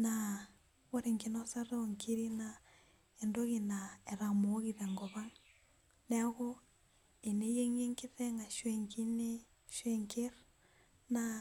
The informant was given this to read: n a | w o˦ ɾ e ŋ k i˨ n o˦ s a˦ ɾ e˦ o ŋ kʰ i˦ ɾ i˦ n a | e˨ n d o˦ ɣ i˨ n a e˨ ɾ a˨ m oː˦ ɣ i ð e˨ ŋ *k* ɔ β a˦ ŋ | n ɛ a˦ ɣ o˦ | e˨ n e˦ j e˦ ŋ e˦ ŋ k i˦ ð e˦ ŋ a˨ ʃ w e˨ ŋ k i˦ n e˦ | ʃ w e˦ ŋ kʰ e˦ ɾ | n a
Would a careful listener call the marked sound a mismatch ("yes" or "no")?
yes